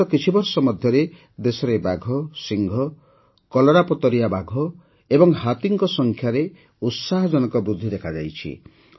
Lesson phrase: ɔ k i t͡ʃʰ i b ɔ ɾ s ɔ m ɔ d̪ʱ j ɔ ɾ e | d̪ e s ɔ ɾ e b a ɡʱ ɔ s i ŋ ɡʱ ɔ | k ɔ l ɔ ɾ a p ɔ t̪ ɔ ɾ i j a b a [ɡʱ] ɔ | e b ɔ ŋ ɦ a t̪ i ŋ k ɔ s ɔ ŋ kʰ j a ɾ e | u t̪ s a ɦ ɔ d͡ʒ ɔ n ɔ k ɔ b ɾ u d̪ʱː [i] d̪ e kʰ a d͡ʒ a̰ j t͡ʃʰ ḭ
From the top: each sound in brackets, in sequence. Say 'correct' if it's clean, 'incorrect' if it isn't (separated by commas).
correct, correct